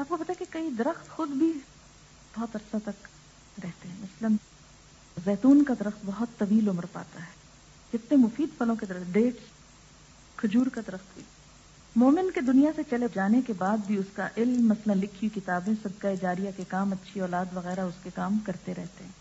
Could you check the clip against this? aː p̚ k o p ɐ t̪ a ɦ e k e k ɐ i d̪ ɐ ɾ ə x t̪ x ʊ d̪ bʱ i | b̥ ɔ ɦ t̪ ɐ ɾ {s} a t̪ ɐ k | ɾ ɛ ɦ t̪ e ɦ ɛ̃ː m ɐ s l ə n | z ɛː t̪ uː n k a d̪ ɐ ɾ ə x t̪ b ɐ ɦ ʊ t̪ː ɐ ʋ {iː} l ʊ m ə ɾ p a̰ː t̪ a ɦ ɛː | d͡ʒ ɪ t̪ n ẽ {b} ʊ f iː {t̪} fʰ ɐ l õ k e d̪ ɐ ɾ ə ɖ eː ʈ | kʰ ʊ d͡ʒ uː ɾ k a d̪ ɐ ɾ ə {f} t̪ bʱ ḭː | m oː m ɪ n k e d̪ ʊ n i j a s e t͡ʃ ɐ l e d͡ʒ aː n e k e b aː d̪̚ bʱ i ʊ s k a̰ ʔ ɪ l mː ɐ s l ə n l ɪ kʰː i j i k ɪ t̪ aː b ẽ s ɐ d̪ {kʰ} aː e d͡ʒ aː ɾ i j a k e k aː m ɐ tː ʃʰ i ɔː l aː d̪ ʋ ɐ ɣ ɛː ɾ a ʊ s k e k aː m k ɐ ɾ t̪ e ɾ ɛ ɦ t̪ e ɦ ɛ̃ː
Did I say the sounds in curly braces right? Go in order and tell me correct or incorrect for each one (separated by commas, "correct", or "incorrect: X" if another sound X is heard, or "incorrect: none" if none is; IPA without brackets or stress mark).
correct, correct, incorrect: m, incorrect: d̪, incorrect: x, incorrect: k